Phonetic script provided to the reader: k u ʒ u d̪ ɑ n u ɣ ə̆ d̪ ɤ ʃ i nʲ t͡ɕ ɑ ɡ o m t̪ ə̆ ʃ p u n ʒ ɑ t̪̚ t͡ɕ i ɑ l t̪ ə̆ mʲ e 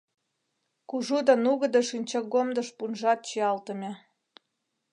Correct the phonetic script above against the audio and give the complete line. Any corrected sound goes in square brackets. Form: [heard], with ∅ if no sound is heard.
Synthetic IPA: k u ʒ u d̪ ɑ n u ɣ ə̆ d̪ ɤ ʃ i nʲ t͡ɕ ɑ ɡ o m [d̪] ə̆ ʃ p u n ʒ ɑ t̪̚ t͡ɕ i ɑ l t̪ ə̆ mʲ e